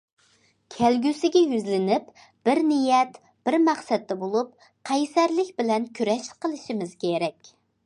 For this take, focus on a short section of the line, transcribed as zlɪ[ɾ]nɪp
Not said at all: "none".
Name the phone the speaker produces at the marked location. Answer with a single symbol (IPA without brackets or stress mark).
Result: none